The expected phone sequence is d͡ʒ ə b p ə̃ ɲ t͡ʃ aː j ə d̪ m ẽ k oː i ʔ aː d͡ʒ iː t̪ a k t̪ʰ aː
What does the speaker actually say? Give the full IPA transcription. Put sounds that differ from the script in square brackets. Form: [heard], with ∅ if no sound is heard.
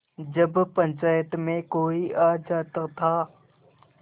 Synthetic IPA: d͡ʒ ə b p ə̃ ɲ t͡ʃ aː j ə [t̪] m ẽ k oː i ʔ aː d͡ʒ [aː] t̪ [ə] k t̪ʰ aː